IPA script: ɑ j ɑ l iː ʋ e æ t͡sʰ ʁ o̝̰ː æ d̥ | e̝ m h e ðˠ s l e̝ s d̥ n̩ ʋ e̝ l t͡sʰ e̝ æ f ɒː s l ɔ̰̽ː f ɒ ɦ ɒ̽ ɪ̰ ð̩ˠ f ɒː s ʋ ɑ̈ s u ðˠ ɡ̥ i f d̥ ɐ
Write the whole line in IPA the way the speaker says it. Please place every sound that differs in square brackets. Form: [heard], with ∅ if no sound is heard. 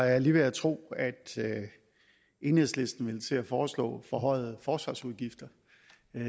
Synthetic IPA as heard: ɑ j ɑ l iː ʋ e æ t͡sʰ ʁ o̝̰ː æ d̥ | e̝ [n] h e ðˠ s l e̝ s d̥ n̩ ʋ e̝ l t͡sʰ e̝ æ f ɒː s l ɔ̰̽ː f ɒ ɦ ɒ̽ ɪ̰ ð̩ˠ f ɒː s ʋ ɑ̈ s u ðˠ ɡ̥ i f d̥ ɐ